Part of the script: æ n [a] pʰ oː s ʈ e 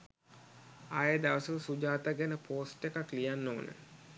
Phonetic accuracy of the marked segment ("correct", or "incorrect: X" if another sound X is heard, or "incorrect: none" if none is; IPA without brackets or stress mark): incorrect: ə